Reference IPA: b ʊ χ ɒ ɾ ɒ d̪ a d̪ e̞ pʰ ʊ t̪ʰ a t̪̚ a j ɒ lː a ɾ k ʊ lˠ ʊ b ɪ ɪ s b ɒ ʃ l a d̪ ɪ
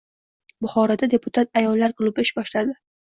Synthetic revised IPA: b ʊ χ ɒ ɾ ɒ d̪ a d̪ e̞ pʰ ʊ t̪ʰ a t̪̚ a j ɒ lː a ɾ k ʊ lˠ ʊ b ɪ ɪ ʃ b ɒ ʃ l a d̪ ɪ